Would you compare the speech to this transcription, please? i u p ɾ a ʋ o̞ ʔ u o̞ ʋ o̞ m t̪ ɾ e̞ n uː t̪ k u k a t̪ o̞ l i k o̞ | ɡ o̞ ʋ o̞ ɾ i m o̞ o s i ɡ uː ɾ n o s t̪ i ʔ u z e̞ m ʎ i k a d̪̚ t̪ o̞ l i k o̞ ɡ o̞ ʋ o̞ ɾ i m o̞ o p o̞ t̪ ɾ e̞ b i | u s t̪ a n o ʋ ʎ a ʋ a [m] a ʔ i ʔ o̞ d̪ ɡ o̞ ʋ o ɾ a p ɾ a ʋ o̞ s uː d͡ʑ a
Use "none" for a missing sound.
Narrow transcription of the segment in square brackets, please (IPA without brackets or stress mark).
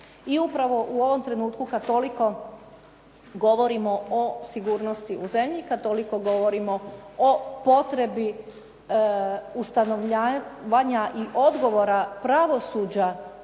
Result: ɲ